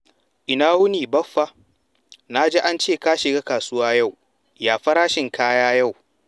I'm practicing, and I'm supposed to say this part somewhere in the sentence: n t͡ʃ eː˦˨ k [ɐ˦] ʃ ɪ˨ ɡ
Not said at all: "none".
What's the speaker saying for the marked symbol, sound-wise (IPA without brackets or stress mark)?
a˦